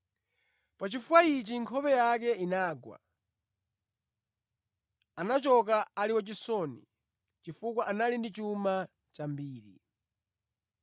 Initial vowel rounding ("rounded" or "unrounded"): unrounded